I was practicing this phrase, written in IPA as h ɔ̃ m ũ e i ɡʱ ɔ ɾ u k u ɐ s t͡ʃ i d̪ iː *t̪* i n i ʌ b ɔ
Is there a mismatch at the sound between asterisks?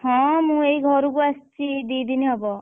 yes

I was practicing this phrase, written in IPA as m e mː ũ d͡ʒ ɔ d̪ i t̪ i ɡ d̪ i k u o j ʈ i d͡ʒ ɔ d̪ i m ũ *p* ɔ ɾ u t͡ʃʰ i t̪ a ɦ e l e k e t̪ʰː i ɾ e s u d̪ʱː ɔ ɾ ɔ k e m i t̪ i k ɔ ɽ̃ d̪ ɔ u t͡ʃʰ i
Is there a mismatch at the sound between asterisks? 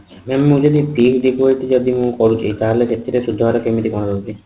yes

